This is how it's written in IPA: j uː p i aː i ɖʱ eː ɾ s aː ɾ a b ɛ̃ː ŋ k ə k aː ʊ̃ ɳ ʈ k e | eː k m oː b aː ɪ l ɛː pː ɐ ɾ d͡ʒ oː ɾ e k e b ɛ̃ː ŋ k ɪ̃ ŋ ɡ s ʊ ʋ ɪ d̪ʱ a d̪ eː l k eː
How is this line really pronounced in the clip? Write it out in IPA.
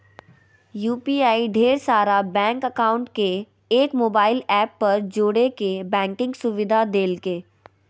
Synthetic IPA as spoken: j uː p i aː i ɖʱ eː ɾ s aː ɾ a b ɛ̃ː ŋ k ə k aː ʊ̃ ɳ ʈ k e | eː k m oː b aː ɪ l ɛː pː ɐ ɾ d͡ʒ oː ɽ e k e b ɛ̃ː ŋ k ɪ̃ ŋ ɡ s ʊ ʋ ɪ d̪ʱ a d̪ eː l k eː

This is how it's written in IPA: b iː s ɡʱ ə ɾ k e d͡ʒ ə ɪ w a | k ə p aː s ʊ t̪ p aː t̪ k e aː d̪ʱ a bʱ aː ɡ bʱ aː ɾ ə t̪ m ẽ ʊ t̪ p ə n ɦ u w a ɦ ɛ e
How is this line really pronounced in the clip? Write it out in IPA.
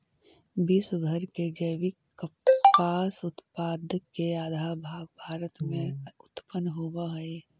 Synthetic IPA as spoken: b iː s ɡʱ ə ɾ k e d͡ʒ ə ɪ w i | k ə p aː s ʊ t̪ p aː d̪ k e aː d̪ʱ a bʱ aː ɡ bʱ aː ɾ ə t̪ m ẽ ʊ t̪ p ə n ɦ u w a ɦ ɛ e

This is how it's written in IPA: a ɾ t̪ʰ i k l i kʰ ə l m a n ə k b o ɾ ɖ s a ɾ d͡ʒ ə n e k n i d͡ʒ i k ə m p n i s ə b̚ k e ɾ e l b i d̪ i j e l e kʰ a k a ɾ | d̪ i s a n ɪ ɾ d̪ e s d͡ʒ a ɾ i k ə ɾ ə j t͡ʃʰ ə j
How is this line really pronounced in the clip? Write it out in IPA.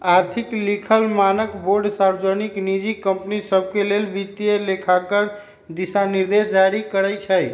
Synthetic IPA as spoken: a ɾ t̪ʰ i k l i kʰ ə l m a n ə k b o ɾ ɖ s a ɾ d͡ʒ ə n i k n i d͡ʒ i k ə m p n i s ə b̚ k e l e l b i t̪ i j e l e kʰ a k ə ɾ | d̪ i s a n i ɾ d̪ e s d͡ʒ a ɾ i k ə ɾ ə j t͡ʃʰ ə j

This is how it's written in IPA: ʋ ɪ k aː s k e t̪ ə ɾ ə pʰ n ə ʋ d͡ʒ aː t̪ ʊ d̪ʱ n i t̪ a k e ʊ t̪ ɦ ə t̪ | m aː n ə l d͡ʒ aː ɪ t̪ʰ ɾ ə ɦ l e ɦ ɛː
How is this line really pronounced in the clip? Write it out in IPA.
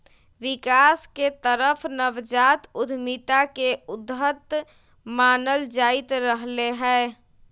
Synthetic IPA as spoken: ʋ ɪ k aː s k e t̪ ə ɾ ə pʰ n ə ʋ d͡ʒ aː t̪ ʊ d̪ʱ m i t̪ a k e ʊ d̪ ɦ ə t̪ | m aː n ə l d͡ʒ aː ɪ t̪ ɾ ə ɦ l e ɦ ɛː

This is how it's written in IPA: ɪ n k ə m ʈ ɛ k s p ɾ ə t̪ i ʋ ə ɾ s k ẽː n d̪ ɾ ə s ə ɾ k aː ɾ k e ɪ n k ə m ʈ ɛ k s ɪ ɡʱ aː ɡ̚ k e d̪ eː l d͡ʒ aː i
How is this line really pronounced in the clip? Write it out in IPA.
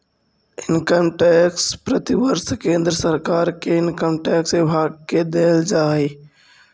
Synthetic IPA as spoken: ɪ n k ə m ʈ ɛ k s p ɾ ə t̪ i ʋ ə ɾ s k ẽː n d̪ ɾ ə s ə ɾ k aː ɾ k e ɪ n k ə m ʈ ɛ k s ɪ bʱ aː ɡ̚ k e d̪ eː l d͡ʒ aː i

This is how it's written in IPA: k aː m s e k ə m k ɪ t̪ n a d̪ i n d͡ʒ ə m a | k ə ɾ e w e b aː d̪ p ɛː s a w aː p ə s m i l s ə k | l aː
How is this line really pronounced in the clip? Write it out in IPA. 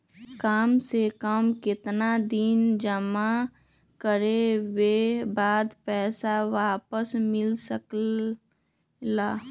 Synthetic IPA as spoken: k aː m s e k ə m k ɪ t̪ n a d̪ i n d͡ʒ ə m a | k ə ɾ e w e b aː d̪ p ɛː s a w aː p ə s m ɪ l s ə k | l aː

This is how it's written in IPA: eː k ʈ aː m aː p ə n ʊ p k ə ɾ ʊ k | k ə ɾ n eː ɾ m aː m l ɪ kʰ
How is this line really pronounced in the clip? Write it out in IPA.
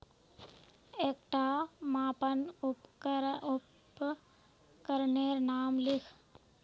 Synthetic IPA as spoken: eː k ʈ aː m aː p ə n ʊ p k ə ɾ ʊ p | k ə ɾ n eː ɾ n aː m l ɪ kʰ

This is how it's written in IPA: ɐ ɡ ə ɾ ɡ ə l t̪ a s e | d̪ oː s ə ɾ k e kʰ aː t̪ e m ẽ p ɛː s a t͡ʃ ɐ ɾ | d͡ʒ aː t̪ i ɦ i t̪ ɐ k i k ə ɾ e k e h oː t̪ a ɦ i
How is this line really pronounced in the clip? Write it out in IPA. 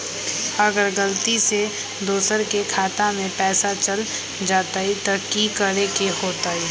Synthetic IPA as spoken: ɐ ɡ ə ɾ ɡ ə l t̪ i s e | d̪ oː s ə ɾ k e kʰ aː t̪ a m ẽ p ɛː s a t͡ʃ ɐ l | d͡ʒ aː t̪ a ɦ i t̪ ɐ k i k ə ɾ e k e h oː t̪ a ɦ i

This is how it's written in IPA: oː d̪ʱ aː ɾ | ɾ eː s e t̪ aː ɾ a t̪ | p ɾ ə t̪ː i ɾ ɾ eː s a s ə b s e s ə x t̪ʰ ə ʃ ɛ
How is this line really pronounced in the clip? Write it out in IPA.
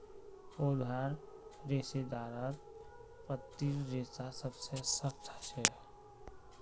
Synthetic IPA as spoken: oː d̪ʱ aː ɾ | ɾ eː s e d̪ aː ɾ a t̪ | p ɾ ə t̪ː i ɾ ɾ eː s a s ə b s e s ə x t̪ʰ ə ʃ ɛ

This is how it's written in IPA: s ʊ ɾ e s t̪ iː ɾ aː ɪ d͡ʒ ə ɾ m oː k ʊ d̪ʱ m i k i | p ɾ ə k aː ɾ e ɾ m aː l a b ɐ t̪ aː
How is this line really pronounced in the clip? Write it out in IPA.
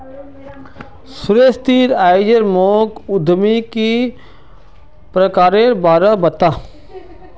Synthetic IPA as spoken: s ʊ ɾ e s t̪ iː ɾ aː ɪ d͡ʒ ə ɾ m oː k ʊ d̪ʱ m i k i | p ɾ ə k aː ɾ e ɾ b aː ɾ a b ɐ t̪ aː

